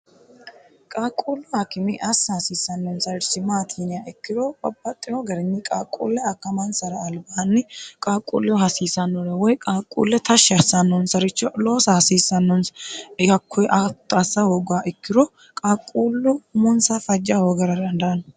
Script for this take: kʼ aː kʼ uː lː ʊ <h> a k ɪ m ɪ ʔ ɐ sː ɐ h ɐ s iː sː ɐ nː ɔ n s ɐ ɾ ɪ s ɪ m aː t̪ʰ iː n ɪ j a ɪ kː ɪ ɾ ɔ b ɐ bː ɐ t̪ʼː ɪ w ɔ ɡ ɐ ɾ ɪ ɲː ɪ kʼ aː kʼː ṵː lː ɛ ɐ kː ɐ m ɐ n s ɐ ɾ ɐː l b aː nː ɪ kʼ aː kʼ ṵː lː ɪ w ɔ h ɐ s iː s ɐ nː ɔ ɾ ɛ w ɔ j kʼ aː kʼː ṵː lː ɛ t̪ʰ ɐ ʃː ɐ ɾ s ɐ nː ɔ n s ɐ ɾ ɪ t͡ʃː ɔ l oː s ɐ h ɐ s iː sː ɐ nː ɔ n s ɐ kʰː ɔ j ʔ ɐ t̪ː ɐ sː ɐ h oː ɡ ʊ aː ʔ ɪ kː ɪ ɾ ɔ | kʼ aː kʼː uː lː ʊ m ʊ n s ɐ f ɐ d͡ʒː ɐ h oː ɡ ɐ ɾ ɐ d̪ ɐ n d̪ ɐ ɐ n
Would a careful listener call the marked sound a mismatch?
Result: no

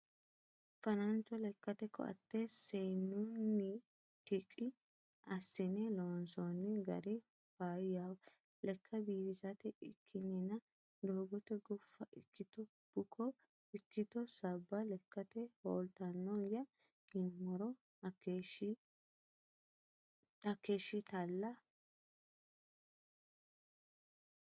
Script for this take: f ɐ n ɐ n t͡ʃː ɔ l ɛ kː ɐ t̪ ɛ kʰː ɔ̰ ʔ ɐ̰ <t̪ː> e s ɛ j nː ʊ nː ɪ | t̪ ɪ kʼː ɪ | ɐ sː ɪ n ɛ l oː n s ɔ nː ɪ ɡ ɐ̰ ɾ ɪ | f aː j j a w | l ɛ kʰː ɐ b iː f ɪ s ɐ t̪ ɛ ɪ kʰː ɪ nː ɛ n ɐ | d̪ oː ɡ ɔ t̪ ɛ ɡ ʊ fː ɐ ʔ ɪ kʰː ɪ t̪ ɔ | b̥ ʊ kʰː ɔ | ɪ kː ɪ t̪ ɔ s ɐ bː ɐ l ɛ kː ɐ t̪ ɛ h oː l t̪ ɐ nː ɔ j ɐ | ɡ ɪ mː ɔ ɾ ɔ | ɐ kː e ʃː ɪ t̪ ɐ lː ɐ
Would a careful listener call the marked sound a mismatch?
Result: no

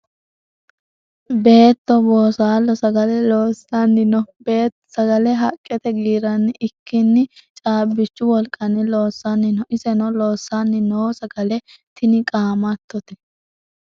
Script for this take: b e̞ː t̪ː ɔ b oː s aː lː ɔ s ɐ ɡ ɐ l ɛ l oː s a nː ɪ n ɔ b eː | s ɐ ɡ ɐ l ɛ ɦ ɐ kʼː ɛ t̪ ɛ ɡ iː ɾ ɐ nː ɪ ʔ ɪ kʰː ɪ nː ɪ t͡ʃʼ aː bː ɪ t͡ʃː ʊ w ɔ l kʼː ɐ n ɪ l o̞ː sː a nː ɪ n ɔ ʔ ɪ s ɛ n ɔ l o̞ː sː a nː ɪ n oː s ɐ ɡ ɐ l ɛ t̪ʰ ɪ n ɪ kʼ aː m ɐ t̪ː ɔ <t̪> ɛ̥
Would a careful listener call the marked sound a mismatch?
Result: no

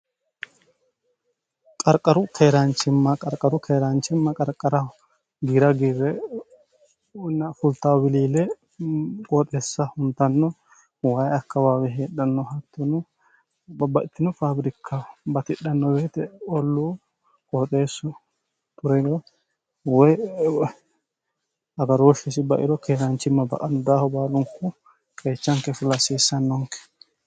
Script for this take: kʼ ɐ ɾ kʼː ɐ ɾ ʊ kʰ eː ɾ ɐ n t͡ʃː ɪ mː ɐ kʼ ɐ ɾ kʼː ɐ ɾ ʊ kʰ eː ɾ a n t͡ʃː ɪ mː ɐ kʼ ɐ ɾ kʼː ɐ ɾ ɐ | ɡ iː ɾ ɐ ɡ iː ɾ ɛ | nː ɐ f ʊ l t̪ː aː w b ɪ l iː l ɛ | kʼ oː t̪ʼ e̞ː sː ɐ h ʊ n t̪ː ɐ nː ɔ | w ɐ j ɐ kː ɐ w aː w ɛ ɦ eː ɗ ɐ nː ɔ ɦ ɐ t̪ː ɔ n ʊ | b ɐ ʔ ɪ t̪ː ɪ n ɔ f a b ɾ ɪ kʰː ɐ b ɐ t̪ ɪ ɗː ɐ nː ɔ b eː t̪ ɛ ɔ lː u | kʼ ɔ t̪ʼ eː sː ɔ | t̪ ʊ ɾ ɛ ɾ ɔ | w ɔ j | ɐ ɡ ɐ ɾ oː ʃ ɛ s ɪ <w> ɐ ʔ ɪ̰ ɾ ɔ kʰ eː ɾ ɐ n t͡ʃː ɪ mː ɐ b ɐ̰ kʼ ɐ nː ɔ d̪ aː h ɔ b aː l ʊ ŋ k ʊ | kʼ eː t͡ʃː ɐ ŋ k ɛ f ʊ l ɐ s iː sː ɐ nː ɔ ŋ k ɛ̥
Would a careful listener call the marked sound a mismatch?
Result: yes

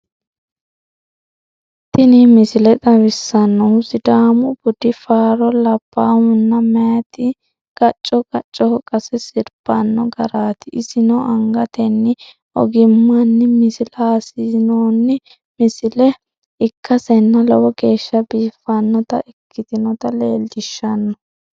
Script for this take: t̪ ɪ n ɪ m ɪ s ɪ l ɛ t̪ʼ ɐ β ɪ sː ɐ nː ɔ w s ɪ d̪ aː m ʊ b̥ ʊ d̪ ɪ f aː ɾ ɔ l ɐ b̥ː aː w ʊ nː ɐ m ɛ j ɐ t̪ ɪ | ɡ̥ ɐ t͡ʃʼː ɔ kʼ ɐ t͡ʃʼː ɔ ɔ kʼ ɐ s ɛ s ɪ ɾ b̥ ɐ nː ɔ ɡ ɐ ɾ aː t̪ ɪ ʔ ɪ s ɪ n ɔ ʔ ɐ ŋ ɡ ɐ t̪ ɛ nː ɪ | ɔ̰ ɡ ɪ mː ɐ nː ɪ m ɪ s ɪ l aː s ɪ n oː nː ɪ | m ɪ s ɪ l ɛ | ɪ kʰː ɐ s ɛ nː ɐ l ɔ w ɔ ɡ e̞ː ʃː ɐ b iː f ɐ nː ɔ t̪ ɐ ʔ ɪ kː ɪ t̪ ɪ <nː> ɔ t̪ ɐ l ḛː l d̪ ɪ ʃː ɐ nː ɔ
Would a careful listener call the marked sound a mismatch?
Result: yes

